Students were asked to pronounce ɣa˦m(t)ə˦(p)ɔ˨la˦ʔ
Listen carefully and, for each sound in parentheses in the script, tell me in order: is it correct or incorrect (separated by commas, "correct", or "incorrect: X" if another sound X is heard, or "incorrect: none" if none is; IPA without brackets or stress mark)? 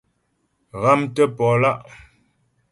correct, correct